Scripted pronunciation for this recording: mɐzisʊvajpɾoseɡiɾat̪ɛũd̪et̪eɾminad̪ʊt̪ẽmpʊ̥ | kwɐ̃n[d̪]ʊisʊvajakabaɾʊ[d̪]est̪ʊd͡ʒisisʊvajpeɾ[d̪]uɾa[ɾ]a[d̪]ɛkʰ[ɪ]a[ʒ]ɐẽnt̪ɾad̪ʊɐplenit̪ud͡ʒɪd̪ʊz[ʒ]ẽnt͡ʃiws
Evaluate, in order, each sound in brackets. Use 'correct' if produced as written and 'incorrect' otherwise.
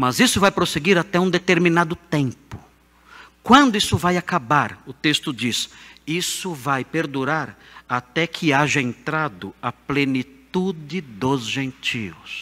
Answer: correct, incorrect: t̪, correct, correct, incorrect: t̪, correct, correct, correct

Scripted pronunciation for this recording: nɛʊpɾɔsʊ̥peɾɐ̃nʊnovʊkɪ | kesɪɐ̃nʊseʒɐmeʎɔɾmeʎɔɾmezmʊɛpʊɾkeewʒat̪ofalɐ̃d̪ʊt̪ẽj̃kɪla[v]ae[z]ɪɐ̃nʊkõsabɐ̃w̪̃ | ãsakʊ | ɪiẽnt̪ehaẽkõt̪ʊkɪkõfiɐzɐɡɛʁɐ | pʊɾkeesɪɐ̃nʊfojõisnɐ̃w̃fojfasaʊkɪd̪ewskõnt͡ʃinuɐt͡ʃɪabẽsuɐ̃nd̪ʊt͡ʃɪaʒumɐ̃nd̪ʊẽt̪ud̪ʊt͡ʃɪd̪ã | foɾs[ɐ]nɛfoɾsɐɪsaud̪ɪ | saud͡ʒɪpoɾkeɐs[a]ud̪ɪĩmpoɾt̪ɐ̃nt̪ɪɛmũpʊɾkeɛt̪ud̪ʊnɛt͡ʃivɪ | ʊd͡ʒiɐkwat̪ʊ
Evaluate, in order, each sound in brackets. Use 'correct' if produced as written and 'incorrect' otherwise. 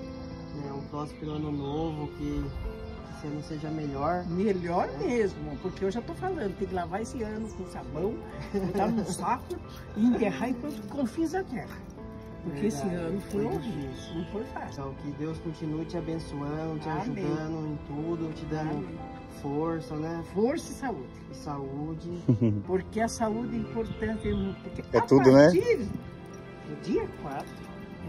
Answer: correct, incorrect: s, correct, correct

